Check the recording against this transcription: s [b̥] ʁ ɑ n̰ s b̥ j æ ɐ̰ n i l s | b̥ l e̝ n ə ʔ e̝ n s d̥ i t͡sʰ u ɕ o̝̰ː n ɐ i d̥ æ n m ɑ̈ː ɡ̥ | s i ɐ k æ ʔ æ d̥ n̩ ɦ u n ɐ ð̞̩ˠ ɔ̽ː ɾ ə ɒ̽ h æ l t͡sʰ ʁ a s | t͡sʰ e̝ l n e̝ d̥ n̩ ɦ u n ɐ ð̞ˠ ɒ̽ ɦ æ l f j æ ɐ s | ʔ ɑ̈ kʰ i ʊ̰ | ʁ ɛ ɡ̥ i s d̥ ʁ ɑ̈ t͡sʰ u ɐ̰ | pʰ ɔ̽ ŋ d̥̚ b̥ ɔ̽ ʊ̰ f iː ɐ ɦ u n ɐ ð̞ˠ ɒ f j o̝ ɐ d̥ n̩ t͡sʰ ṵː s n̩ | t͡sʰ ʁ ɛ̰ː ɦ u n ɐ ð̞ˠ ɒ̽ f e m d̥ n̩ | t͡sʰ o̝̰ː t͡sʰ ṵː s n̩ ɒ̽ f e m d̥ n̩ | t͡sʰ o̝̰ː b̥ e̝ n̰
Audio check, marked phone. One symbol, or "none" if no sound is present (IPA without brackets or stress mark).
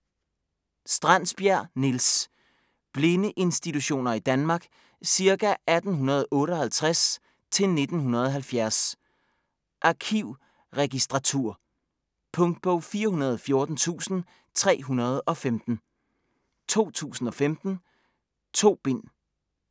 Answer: d̥